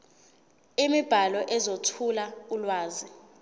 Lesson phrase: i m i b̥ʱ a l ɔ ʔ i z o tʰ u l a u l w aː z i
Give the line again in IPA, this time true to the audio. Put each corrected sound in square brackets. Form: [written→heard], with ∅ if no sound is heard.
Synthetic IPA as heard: i m i b̥ʱ a l ɔ ʔ [i→ɛ] z o tʰ u l a u l w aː z i